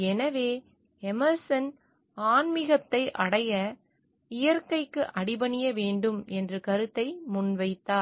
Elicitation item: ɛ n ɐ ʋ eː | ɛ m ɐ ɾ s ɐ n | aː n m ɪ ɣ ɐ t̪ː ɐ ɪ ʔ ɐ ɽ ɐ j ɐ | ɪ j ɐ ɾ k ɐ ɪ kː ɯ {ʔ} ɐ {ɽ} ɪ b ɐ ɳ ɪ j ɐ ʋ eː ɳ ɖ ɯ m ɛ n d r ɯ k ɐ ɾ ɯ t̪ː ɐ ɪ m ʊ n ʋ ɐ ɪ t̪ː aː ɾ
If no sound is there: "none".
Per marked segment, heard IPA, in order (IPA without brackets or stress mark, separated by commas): ʔ, ɽ